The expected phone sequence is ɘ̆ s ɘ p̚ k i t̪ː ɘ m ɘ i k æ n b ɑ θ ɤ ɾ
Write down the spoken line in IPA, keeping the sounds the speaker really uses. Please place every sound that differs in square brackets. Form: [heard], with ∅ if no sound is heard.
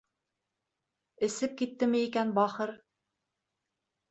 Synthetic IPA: ɘ̆ s ɘ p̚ k i t̪ː ɘ m ɘ i k æ n b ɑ [χ] ɤ ɾ